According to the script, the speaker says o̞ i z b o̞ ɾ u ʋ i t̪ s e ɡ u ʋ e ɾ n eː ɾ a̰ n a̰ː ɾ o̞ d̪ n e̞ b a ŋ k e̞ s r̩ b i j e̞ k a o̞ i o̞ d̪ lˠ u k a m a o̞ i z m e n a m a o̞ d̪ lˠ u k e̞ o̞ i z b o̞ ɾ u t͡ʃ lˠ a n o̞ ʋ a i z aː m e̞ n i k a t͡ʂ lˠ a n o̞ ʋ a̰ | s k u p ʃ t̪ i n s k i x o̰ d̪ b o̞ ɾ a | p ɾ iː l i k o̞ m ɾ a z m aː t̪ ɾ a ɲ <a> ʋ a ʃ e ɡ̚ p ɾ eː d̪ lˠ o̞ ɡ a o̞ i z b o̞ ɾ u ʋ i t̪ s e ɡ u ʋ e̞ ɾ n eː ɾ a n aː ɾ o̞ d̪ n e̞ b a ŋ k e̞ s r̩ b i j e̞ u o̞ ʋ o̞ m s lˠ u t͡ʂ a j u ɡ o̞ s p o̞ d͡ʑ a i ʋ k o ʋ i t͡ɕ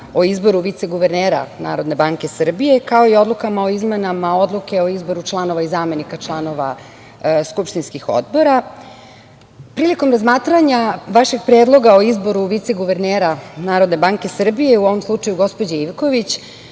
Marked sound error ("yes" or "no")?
no